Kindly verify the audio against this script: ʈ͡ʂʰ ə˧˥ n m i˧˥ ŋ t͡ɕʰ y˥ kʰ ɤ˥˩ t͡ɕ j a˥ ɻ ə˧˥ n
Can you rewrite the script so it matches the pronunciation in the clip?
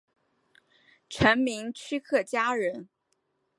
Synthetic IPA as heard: ʈ͡ʂʰ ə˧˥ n m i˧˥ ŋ t͡ɕʰ y˥ kʰ ɤ˥˩ t͡ɕ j a˥ ɻ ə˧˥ n